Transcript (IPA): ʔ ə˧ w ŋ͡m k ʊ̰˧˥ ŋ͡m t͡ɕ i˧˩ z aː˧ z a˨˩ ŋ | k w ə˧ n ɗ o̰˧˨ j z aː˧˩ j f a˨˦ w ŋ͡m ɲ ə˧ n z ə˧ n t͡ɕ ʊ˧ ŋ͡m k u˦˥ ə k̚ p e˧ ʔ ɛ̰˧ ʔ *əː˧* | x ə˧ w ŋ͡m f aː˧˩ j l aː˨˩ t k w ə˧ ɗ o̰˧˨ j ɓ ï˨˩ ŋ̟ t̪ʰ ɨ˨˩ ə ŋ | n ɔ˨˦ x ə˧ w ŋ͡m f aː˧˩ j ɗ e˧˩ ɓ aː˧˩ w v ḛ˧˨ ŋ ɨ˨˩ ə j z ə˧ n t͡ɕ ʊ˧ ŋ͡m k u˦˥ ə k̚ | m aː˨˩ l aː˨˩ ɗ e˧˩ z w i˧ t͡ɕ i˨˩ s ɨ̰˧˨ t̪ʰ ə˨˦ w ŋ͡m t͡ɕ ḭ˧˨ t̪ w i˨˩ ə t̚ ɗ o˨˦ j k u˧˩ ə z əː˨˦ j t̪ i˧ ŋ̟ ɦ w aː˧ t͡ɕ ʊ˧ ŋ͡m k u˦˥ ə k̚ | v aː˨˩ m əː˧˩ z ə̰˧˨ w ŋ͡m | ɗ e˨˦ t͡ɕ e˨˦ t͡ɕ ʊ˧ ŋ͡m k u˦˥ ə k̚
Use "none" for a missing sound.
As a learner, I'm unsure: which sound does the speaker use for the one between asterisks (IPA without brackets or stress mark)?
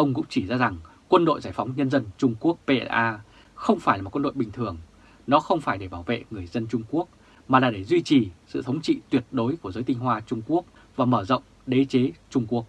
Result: aː˧